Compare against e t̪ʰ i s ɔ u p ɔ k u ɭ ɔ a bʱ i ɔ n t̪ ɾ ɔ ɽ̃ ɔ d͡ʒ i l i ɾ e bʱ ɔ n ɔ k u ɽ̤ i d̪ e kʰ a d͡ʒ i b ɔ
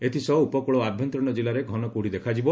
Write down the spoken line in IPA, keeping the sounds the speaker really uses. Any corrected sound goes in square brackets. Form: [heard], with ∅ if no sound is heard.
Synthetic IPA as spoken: e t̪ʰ i s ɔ u p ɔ k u ɭ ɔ a bʱ [j] ɔ n t̪ ɾ ɔ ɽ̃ ɔ d͡ʒ i l [a] ɾ e [ɡʱ] ɔ n ɔ k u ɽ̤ i d̪ e kʰ a d͡ʒ i b ɔ